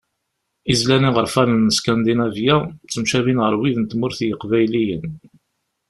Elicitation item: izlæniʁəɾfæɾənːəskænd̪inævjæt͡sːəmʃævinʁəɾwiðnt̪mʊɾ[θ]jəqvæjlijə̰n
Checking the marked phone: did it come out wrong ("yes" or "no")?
no